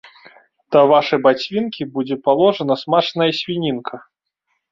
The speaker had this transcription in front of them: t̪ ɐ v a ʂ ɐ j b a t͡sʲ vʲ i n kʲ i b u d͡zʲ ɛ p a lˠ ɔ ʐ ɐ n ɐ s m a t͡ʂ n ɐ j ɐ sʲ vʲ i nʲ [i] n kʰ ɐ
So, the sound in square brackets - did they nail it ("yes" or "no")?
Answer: yes